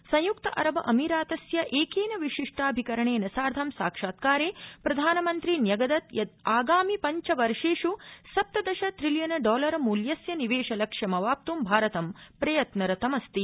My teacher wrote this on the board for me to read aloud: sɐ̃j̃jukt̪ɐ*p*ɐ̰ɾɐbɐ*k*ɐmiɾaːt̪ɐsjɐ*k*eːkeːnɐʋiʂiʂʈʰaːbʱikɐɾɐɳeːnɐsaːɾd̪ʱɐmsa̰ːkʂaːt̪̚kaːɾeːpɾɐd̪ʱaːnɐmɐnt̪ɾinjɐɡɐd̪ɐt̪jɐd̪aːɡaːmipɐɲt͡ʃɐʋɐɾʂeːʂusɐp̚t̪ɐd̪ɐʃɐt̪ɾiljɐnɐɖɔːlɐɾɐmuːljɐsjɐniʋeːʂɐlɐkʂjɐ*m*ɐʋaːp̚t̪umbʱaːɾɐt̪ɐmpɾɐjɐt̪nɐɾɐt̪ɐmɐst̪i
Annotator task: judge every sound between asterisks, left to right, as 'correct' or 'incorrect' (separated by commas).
incorrect, incorrect, incorrect, correct